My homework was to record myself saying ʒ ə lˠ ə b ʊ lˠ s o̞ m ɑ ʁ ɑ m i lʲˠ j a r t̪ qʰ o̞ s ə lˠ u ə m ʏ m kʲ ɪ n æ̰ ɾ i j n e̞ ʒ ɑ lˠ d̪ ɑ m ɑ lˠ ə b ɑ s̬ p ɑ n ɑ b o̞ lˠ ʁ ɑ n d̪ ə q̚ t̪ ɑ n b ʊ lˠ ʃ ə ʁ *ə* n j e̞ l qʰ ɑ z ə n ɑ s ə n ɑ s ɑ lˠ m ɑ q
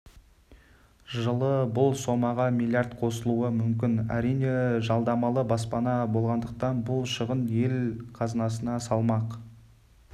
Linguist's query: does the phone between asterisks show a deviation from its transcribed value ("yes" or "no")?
no